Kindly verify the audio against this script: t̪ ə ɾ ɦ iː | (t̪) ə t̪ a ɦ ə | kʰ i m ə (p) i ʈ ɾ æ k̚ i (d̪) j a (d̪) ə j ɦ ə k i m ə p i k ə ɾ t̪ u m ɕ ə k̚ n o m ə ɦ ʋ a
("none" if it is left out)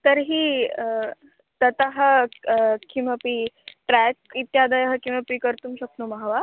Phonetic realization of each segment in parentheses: t̪, p, t̪, d̪

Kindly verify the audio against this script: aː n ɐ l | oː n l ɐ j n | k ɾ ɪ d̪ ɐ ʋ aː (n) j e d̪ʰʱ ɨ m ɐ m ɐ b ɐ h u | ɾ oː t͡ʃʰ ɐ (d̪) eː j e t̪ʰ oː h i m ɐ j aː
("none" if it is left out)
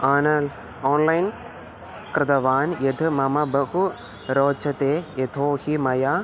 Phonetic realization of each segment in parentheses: n, t̪

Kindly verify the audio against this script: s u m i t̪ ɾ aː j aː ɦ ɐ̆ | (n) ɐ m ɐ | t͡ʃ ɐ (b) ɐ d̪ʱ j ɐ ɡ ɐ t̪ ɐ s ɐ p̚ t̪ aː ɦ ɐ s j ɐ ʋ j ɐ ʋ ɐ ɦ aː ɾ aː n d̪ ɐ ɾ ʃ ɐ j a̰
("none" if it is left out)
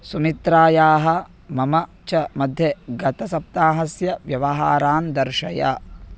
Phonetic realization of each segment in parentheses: m, m

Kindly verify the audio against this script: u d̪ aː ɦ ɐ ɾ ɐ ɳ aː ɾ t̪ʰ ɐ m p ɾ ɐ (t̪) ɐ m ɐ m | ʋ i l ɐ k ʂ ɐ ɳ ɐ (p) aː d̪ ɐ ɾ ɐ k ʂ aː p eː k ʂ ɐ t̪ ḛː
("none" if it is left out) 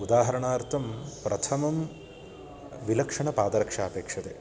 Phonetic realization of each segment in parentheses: t̪ʰ, p

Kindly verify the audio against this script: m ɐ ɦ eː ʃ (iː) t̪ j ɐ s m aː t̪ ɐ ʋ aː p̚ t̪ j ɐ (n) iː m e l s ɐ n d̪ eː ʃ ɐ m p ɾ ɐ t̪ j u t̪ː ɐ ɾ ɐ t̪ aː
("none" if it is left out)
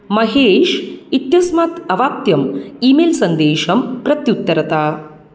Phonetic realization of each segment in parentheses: i, m

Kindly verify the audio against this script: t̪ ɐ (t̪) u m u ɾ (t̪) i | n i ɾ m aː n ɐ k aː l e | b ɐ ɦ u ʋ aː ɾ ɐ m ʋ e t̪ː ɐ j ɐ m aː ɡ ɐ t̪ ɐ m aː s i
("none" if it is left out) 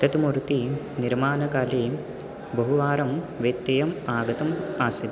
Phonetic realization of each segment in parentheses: t̪, t̪

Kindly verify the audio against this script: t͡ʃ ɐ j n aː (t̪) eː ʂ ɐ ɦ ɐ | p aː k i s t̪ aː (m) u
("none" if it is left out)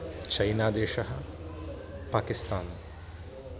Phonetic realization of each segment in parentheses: d̪, n

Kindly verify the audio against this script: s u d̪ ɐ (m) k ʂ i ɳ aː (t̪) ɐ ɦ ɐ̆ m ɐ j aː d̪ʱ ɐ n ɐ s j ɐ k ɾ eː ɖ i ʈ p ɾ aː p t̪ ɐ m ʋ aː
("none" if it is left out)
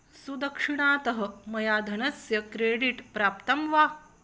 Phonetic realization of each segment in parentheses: none, t̪

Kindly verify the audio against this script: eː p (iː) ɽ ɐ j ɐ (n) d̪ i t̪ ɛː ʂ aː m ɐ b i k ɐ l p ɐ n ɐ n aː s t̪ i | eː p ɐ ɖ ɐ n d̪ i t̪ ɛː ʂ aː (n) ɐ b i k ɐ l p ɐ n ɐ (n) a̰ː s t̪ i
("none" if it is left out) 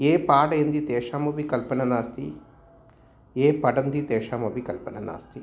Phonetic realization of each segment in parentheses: aː, n, m, n

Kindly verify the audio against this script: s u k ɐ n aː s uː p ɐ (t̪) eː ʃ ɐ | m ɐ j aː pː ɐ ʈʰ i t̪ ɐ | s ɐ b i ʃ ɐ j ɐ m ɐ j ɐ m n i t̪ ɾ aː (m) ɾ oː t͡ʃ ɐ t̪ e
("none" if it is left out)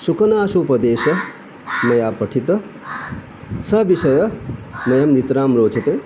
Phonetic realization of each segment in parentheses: d̪, m

